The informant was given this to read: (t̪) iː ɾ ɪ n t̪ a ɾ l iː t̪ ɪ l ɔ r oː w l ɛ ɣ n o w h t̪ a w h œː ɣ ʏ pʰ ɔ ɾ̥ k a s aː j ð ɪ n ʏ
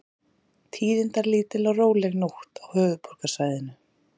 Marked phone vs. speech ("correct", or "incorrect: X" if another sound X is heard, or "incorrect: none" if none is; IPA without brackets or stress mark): incorrect: t̪ʰ